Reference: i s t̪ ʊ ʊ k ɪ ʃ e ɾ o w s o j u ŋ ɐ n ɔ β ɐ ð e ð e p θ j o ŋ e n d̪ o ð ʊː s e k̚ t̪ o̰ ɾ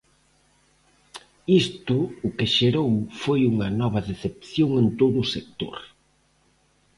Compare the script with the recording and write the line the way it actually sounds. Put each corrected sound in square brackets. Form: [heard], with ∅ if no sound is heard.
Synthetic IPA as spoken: i s t̪ ʊ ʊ k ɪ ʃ e ɾ o w [f] o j u ŋ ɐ n ɔ β ɐ ð e [θ] e p θ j o ŋ e n [t̪] o ð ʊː s e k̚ t̪ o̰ ɾ